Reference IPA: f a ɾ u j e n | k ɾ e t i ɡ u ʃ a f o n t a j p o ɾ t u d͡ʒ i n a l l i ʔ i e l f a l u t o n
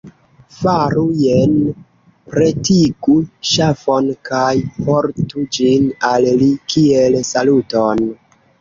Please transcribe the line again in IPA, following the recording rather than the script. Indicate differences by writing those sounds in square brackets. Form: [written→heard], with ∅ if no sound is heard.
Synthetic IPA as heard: f a ɾ u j e n | [k→p] ɾ e t i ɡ u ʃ a f o n [t→k] a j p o ɾ t u d͡ʒ i n a l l i [ʔ→k] i e l [f→s] a l u t o n